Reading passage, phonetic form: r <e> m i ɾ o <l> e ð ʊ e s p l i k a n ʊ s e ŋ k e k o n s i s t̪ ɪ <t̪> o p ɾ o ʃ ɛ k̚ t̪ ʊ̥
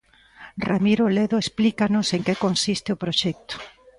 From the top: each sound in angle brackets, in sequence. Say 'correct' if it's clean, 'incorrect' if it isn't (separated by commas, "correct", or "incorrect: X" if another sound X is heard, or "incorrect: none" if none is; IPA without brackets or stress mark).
incorrect: a, correct, incorrect: none